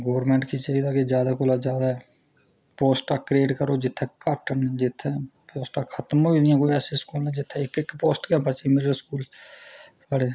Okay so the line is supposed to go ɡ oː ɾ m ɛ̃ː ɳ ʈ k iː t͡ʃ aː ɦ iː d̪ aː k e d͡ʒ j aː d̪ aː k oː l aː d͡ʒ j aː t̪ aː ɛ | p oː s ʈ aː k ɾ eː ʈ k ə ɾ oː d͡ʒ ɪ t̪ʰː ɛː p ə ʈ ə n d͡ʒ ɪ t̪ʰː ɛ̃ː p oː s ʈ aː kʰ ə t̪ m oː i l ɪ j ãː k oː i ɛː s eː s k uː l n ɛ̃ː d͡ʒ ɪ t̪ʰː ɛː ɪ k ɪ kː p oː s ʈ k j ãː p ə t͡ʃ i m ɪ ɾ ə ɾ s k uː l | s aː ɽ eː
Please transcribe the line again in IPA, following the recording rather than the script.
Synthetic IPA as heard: ɡ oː ɾ m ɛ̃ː ɳ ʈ k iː t͡ʃ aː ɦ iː d̪ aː k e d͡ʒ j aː d̪ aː k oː l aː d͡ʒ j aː d̪ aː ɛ | p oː s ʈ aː k ɾ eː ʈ k ə ɾ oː d͡ʒ ɪ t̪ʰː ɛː k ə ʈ ə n d͡ʒ ɪ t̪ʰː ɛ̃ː p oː s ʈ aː kʰ ə t̪ m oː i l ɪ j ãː k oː i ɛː s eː s k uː l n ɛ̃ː d͡ʒ ɪ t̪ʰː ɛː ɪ k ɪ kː p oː s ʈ k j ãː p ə t͡ʃ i m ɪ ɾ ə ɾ s k uː l | s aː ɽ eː